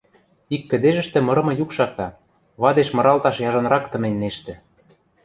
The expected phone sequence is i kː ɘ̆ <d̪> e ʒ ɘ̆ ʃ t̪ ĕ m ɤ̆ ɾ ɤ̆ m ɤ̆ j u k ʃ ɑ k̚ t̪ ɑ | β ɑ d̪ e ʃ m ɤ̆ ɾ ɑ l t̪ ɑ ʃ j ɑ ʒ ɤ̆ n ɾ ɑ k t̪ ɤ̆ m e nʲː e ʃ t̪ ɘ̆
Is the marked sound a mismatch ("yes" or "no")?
no